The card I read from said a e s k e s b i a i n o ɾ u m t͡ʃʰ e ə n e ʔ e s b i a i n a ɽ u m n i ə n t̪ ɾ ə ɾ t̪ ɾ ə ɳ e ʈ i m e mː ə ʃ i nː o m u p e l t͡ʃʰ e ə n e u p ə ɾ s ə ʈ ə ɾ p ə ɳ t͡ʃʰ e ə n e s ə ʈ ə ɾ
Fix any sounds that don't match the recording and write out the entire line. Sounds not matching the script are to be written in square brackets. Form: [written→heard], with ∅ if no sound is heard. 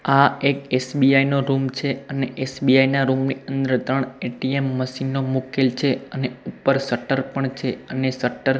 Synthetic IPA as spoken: a e [s→∅] k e s b i a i n o ɾ u m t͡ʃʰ e ə n e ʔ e s b i a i n a [ɽ→ɾ] u m n i ə n [t̪→d̪] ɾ ə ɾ t̪ ɾ ə ɳ e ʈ i [m→∅] e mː ə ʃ i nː o m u [p→k] e l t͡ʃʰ e ə n e u p ə ɾ s ə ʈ ə ɾ p ə ɳ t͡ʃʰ e ə n e s ə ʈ ə ɾ